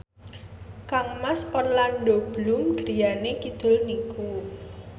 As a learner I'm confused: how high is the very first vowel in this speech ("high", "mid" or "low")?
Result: low